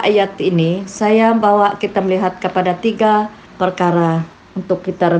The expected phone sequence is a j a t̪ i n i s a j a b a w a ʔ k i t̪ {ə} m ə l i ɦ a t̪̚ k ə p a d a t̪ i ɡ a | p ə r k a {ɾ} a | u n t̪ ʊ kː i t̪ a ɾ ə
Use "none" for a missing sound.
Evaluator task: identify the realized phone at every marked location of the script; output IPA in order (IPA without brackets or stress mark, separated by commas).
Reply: a, ɾ